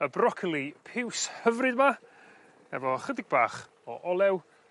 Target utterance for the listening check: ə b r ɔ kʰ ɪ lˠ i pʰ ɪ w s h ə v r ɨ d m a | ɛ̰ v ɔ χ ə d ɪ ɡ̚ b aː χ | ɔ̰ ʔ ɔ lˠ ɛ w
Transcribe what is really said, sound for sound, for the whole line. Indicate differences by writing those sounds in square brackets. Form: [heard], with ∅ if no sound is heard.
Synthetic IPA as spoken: ə b r ɔ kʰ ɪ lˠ i pʰ ɪ w s h ə v r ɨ d m a | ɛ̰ v ɔ χ ə d ɪ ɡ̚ b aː χ | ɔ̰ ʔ ɔ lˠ ɛ w